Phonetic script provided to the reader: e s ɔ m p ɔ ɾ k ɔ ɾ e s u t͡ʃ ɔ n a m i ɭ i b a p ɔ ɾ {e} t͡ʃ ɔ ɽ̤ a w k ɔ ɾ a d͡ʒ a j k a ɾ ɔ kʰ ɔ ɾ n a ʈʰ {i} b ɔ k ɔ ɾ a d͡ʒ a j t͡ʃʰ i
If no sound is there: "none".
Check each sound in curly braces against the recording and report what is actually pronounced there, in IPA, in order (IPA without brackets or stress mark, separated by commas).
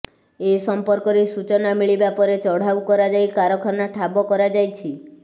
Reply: e, a